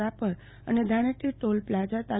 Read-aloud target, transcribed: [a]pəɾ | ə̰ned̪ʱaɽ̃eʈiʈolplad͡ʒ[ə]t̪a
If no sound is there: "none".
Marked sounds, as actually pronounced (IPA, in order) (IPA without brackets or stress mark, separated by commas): a, a